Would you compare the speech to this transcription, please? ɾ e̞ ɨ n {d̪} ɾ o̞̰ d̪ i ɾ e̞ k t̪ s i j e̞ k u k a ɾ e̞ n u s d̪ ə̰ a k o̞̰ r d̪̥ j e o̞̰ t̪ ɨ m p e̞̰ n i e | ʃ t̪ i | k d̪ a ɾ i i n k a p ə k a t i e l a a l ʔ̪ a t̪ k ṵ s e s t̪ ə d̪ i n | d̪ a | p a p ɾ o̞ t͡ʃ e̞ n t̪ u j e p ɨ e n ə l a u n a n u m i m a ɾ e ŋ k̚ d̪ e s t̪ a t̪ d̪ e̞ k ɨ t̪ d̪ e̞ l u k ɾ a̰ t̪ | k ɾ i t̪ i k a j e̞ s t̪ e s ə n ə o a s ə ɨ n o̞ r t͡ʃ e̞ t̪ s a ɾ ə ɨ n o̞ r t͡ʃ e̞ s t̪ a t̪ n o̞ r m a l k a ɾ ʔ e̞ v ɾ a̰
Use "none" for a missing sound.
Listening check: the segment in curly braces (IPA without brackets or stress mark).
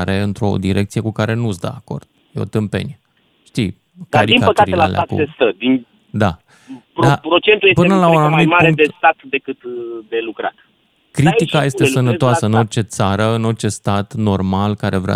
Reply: t̪